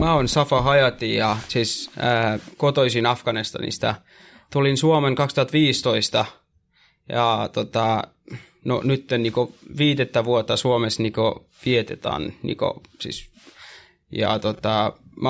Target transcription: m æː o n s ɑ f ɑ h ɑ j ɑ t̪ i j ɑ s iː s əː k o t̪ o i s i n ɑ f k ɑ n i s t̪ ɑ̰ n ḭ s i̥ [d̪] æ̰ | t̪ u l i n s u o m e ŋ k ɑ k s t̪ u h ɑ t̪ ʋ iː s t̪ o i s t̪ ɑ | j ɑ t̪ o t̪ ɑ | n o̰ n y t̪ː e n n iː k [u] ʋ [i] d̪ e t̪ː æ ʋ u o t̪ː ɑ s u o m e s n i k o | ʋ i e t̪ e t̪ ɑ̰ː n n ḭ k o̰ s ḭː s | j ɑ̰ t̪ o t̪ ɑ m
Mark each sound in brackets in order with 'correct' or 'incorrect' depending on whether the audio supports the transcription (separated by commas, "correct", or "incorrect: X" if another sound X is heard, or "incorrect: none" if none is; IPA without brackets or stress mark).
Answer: incorrect: t̪, incorrect: o, incorrect: iː